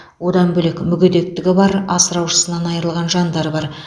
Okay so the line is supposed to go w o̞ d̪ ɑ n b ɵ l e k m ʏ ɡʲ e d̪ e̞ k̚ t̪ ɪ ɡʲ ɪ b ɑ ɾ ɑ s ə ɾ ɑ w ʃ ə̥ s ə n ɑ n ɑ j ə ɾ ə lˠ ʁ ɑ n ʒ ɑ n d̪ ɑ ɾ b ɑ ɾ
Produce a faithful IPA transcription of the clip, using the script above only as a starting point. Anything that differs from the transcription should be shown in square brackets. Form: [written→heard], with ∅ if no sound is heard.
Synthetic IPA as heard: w o̞ d̪ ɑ n b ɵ l e k m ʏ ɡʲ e d̪ e̞ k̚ t̪ ɪ ɡʲ ɪ b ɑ ɾ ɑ s ə ɾ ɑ w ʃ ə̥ s ə n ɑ n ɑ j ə ɾ ə lˠ ʁ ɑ n ʒ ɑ n d̪ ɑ ɾ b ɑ ɾ